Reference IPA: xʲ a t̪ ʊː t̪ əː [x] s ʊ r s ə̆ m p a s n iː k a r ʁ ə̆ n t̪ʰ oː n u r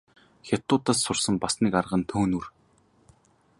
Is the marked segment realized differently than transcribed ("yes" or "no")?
yes